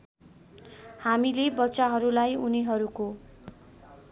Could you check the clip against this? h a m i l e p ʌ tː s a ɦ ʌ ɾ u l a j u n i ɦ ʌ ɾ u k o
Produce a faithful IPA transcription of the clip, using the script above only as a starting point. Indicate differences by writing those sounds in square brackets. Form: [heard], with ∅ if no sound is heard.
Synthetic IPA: h a m i l e [b] ʌ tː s a ɦ ʌ ɾ u l a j u n i ɦ ʌ ɾ u k o